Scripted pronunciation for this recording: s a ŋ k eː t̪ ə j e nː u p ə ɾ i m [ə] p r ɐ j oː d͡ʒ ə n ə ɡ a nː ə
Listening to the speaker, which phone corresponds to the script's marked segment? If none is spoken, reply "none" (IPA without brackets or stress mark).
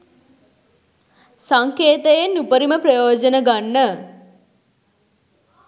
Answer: ə